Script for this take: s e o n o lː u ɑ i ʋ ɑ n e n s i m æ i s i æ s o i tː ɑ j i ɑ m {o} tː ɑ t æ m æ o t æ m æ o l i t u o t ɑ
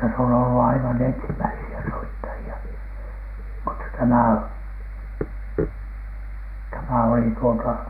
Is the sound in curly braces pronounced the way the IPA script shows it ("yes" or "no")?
no